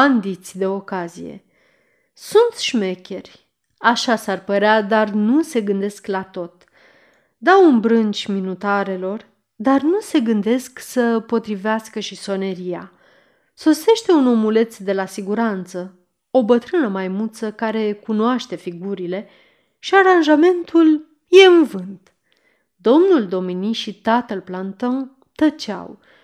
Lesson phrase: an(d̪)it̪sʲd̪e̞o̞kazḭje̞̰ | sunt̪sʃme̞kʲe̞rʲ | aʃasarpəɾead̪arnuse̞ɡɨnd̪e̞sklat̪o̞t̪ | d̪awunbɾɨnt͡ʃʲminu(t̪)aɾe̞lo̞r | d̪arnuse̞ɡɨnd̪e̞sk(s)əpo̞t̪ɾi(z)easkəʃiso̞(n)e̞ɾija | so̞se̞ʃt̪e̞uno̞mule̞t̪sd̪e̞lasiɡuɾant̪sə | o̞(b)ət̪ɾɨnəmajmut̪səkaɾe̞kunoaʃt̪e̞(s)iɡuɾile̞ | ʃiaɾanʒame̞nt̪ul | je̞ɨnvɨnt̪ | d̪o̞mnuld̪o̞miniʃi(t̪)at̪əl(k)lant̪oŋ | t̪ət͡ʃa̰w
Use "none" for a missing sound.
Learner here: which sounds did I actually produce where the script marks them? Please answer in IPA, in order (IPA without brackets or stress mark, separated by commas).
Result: d̪, t̪, s, v, n, b, f, t̪, p